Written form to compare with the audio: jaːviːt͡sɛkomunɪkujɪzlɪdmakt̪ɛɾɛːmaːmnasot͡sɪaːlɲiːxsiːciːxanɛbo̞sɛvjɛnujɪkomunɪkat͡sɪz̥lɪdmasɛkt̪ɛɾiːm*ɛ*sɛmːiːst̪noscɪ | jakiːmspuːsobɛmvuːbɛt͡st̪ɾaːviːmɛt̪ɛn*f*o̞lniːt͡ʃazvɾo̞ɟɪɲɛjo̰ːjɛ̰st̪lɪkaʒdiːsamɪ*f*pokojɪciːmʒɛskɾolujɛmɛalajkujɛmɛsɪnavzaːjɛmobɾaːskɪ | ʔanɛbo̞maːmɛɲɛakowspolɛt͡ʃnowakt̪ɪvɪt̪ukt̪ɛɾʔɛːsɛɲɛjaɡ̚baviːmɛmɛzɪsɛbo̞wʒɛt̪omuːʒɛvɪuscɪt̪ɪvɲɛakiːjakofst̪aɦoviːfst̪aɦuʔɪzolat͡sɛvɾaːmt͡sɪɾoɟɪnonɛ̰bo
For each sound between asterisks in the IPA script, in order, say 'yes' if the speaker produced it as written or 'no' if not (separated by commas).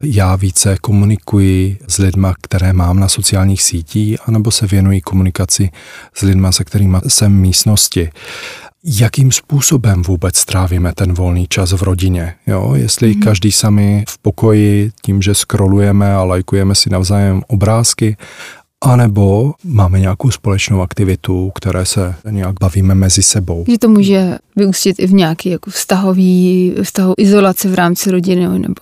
no, no, yes